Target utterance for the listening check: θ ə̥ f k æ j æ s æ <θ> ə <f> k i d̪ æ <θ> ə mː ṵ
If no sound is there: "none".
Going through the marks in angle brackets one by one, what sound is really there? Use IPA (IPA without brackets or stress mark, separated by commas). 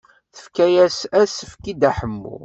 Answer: s, f, ħ